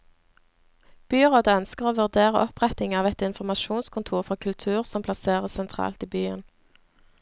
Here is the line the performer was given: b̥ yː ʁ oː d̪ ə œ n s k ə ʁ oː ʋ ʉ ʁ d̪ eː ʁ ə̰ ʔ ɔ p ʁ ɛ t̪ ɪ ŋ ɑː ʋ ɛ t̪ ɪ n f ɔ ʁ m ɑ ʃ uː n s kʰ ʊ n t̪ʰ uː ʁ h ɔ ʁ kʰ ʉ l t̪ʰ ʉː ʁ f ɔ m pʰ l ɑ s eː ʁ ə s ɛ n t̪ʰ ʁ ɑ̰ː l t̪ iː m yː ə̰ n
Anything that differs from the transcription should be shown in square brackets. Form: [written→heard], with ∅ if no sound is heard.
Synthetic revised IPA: b̥ yː ʁ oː d̪ ə œ n s k ə ʁ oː ʋ ʉ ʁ d̪ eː ʁ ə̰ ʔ ɔ p ʁ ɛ t̪ ɪ ŋ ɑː ʋ ɛ t̪ ɪ n f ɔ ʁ m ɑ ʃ uː n s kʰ ʊ n t̪ʰ uː ʁ [h→f] ɔ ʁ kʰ ʉ l t̪ʰ ʉː ʁ [f→s] ɔ m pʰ l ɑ s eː ʁ ə s ɛ n t̪ʰ ʁ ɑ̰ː l t̪ iː [m→b] yː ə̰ n